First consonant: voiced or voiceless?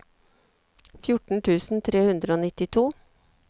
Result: voiceless